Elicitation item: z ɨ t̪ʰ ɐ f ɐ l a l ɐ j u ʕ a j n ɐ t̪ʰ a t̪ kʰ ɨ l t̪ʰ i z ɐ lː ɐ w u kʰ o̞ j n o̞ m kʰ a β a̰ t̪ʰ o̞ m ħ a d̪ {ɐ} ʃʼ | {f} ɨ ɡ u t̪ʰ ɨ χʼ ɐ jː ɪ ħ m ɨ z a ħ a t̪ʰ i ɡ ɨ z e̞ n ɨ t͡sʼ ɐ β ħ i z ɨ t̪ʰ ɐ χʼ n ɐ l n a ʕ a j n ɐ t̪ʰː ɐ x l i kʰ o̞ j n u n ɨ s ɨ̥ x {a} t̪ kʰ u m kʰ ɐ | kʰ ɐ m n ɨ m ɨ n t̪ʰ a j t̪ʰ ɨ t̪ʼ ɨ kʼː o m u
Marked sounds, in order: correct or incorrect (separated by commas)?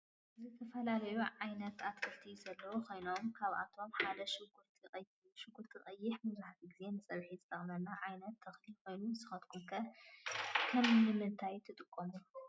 correct, incorrect, incorrect